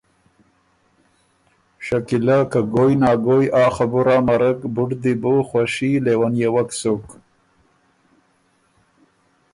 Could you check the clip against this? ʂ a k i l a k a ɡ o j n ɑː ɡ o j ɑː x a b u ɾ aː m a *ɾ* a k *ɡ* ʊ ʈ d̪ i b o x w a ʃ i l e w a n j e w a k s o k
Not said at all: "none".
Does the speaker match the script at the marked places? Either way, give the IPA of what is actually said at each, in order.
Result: ɾ, b

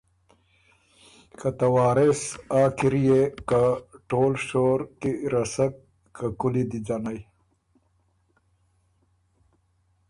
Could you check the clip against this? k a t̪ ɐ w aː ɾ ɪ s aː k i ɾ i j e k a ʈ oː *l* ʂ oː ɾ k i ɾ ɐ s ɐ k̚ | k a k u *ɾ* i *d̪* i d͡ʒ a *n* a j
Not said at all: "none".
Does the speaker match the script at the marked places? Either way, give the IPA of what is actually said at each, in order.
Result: l, l, d̪, n

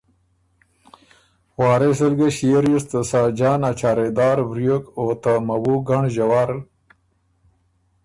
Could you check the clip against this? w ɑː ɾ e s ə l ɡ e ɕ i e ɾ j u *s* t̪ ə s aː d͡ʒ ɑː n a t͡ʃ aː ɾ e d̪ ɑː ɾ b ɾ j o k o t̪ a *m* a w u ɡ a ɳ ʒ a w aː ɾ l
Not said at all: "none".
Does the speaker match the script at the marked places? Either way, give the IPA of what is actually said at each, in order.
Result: s, m

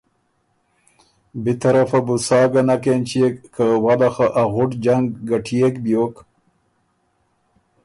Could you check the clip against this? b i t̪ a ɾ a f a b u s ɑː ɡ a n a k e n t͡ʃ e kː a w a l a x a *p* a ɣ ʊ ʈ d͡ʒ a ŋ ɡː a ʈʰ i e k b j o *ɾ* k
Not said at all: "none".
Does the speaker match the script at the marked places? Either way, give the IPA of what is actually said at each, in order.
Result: ʔ, none

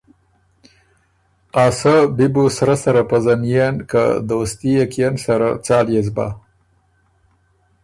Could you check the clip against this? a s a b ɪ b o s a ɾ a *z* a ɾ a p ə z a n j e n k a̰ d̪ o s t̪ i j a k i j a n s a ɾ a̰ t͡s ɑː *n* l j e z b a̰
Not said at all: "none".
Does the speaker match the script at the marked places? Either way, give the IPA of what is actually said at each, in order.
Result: s, none

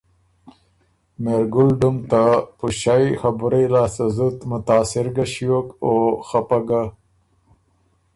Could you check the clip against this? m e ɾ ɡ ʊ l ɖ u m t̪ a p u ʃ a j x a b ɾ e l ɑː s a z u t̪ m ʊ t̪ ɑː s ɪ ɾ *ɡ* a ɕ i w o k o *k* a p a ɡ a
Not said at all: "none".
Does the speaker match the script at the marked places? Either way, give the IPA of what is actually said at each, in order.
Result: ɡ, x

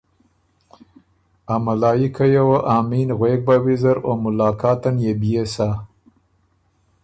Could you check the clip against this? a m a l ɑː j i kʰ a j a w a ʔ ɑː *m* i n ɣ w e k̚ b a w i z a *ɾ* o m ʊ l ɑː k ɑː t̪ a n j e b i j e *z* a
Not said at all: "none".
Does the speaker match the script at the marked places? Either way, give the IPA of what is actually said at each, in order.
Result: m, ɾ, s

